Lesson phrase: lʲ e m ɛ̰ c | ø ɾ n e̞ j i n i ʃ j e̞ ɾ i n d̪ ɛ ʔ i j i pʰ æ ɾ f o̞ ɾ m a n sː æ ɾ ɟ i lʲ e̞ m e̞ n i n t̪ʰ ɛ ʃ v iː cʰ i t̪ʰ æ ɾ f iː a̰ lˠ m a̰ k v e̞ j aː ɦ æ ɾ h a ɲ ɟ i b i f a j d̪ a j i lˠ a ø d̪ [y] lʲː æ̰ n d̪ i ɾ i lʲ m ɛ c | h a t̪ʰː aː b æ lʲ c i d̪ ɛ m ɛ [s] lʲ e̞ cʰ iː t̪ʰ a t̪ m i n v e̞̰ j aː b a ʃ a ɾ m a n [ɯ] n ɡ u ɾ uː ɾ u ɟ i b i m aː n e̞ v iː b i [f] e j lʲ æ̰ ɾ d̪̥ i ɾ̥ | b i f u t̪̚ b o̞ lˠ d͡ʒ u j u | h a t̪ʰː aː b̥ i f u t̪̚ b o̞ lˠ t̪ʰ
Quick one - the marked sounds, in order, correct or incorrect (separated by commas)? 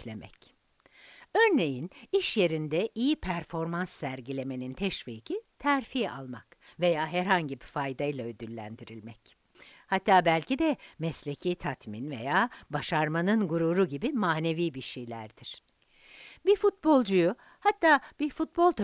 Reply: correct, correct, correct, incorrect